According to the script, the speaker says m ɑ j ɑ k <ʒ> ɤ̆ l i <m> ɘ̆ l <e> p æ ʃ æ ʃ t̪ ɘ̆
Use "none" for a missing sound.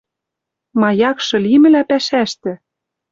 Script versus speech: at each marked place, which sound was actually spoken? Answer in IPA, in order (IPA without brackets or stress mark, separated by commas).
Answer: ʃ, m, æ